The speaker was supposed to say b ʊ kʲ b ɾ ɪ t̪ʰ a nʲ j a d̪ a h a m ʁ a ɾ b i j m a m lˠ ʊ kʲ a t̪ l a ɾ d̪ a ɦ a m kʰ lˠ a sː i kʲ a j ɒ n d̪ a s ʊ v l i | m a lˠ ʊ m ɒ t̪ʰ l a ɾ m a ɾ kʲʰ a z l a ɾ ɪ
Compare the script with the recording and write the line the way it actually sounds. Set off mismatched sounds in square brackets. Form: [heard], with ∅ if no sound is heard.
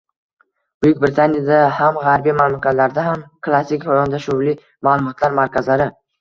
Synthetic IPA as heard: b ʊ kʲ b ɾ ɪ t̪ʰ a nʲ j a d̪ a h a m ʁ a ɾ b i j m a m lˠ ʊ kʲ a t̪ l a ɾ d̪ a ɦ a m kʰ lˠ a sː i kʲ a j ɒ n d̪ a [ʃ] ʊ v l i | m a lˠ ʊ m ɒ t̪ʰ l a ɾ m a ɾ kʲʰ a z l a ɾ ɪ